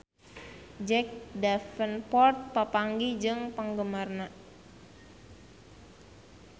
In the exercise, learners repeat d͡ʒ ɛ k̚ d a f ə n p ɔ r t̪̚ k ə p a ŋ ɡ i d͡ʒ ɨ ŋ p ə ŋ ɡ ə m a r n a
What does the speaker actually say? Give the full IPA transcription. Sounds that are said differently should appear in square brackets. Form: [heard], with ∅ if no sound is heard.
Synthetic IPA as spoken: d͡ʒ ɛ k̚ d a f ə n p ɔ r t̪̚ [p] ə p a ŋ ɡ i d͡ʒ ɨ ŋ p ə ŋ ɡ ə m a r n a